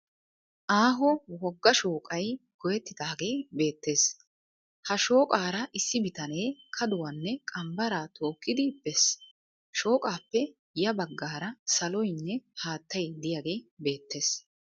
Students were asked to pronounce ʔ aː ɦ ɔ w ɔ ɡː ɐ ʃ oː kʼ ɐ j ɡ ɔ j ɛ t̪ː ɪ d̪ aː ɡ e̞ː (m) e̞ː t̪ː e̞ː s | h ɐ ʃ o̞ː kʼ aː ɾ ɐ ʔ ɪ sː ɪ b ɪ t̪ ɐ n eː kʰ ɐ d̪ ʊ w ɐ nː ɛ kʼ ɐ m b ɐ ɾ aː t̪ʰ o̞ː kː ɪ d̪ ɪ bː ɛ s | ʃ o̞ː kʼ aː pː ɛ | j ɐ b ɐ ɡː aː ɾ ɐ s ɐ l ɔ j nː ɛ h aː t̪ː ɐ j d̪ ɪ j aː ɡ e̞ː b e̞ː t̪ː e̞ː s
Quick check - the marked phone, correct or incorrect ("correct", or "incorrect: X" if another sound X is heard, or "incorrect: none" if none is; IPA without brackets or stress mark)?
incorrect: b